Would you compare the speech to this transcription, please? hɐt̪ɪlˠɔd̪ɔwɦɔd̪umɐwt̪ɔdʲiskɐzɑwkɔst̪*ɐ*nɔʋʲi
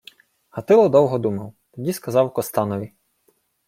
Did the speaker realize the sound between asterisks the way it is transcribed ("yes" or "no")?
no